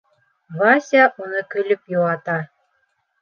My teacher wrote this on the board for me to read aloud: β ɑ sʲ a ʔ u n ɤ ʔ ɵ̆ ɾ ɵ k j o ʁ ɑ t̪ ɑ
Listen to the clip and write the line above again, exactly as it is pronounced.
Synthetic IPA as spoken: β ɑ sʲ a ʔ u n ɤ k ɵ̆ l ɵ p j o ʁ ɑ t̪ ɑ